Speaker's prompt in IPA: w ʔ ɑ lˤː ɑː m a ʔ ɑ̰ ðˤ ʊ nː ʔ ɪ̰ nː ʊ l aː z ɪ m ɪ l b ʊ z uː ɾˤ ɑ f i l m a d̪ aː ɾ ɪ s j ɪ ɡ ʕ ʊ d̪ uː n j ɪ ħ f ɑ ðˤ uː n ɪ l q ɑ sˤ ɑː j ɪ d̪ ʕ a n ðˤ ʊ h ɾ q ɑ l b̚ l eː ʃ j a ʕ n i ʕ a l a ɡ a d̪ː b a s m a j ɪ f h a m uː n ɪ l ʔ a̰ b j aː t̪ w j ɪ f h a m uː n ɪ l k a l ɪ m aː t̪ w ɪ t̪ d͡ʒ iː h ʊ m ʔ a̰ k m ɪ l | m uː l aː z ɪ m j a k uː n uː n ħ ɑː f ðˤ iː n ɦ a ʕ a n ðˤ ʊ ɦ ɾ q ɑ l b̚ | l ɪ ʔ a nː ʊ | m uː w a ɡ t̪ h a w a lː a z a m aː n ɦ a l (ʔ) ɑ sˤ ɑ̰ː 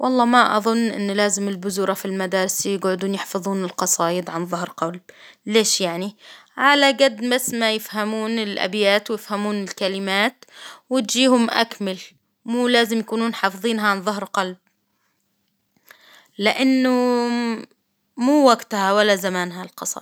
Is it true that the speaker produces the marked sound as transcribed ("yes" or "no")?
no